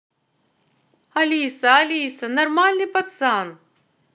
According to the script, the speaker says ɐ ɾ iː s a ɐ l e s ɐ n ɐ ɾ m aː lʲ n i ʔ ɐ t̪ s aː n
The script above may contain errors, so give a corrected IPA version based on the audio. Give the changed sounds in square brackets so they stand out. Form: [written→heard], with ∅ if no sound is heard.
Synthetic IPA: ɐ [ɾ→l] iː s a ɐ l [e→i] s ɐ n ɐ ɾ m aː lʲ n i [ʔ→p] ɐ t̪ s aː n